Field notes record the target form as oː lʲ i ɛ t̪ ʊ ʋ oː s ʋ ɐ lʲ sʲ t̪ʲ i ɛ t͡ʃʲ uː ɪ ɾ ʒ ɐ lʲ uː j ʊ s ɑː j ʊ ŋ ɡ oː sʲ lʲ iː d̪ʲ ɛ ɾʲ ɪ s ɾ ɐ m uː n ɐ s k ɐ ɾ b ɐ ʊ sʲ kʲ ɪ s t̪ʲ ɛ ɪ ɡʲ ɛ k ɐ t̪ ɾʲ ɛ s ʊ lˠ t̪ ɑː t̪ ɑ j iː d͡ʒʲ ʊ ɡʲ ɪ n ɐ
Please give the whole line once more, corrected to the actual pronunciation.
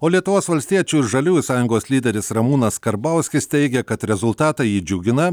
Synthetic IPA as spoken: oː lʲ i ɛ t̪ ʊ ʋ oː s ʋ ɐ lʲ sʲ t̪ʲ i ɛ t͡ʃʲ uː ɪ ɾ ʒ ɐ lʲ uː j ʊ s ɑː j ʊ ŋ ɡ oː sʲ lʲ iː d̪ʲ ɛ ɾʲ ɪ s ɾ ɐ m uː n ɐ s k ɐ ɾ b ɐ ʊ sʲ kʲ ɪ s t̪ʲ ɛ ɪ ɡʲ ɛ k ɐ t̪ ɾʲ ɛ z ʊ lˠ t̪ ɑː t̪ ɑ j iː d͡ʒʲ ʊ ɡʲ ɪ n ɐ